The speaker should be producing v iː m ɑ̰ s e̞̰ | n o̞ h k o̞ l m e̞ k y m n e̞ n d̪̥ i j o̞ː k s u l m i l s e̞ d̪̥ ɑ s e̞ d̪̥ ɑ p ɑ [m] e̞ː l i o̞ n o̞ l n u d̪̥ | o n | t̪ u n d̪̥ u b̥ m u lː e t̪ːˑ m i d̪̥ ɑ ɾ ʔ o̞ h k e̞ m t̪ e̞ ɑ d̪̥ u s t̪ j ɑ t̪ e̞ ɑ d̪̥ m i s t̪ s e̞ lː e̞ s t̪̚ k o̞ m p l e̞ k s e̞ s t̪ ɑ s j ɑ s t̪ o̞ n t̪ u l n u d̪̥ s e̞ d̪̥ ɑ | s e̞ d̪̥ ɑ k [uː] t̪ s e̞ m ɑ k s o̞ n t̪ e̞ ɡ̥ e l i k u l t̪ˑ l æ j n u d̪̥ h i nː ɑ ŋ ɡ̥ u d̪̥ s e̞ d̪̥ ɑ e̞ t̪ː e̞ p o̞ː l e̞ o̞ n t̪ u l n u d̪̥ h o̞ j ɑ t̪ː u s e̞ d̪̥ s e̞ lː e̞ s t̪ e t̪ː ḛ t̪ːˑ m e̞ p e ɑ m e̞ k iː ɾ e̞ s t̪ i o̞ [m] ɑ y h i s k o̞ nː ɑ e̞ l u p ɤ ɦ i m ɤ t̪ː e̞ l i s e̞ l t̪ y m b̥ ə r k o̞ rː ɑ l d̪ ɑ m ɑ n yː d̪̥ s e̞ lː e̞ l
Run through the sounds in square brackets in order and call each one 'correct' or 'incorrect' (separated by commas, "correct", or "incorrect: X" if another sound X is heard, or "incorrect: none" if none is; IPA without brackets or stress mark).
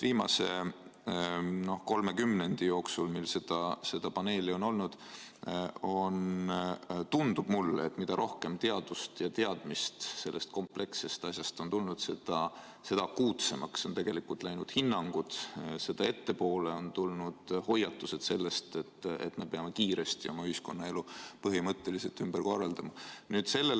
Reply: incorrect: n, correct, correct